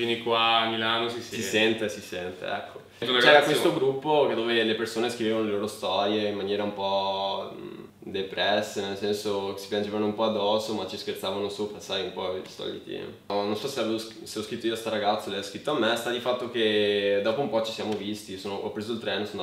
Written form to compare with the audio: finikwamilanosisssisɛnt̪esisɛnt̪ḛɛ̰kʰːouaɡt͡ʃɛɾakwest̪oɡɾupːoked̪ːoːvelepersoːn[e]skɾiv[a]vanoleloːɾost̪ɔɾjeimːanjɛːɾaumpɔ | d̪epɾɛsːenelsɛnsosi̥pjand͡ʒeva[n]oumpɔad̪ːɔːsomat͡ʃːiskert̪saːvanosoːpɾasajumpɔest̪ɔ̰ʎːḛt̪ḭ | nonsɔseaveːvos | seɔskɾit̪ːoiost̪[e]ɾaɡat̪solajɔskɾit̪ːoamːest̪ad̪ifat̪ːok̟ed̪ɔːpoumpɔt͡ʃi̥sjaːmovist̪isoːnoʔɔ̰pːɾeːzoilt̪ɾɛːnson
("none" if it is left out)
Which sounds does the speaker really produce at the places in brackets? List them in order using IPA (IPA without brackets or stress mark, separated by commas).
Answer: e, e, n, a